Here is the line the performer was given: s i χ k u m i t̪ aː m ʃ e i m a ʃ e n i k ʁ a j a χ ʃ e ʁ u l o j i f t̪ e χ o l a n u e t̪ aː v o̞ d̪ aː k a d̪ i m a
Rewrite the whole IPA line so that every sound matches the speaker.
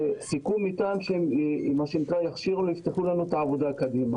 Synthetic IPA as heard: s i k u m i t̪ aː m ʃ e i m a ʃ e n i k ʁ a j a χ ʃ i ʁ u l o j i f t̪ e χ u l a n u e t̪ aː v o̞ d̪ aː k a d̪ i m a